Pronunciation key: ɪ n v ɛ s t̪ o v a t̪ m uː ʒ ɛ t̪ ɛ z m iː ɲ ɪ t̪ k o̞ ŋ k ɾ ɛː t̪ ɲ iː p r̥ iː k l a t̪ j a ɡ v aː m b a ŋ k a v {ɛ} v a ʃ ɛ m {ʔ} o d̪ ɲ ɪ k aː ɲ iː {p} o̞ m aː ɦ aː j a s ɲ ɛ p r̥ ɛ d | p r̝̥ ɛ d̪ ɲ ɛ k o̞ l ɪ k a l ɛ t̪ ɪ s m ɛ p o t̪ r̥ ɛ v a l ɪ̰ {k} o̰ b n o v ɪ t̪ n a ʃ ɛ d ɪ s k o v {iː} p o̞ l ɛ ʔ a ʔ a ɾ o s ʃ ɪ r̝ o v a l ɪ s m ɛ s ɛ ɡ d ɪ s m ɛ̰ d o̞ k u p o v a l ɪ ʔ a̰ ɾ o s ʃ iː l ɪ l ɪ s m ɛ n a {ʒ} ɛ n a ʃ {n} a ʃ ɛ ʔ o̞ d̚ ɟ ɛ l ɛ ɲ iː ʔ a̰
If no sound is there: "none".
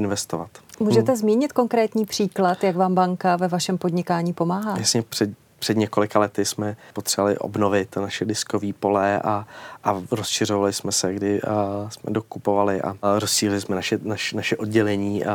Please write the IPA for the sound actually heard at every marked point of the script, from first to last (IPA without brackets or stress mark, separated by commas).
ɛ, p, p, ʔ, iː, ʃ, n